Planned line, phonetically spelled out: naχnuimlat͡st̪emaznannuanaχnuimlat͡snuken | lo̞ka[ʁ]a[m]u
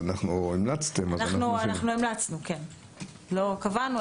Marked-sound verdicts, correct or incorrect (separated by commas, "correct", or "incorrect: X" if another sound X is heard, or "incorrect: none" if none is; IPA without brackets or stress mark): incorrect: v, incorrect: n